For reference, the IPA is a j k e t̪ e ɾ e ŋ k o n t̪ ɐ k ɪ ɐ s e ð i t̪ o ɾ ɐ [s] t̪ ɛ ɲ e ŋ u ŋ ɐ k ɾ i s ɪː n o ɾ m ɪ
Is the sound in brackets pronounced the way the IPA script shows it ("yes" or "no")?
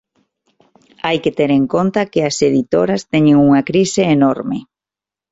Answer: yes